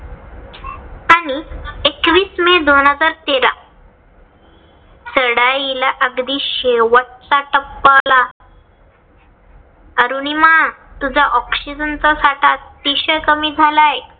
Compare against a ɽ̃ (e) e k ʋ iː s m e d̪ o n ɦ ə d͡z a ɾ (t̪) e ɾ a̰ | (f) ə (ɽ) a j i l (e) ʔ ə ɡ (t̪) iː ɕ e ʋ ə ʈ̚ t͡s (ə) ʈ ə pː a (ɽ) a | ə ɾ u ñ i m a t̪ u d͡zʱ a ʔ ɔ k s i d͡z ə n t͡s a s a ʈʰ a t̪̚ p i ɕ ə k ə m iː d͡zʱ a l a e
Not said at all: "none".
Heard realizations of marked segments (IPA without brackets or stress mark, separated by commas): i, t̪, s, ɽ, a, d̪, a, l